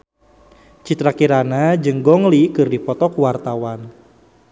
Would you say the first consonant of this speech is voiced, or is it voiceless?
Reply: voiceless